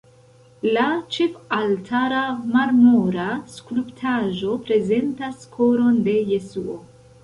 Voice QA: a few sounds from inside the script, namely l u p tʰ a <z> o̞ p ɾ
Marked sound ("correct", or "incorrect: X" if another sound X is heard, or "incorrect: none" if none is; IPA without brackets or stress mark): incorrect: ʒ